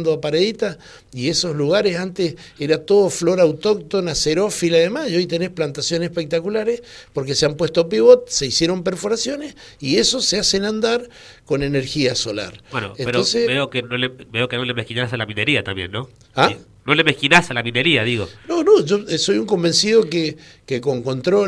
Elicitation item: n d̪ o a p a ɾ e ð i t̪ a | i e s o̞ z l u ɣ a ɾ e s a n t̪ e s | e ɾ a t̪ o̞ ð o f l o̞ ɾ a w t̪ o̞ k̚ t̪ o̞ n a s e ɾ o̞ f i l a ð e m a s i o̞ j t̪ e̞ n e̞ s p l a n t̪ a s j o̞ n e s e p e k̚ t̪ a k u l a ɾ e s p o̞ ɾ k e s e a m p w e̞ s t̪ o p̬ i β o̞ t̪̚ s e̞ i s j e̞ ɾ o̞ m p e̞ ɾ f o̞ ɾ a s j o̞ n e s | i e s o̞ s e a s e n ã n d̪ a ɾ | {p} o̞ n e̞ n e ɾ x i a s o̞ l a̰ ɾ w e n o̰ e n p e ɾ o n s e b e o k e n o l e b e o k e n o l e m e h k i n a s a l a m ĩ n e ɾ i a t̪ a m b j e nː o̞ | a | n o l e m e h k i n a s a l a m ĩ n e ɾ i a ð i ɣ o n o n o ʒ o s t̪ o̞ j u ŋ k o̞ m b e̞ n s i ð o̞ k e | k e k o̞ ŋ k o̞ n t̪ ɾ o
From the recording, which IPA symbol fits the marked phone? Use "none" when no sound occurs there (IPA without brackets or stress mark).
k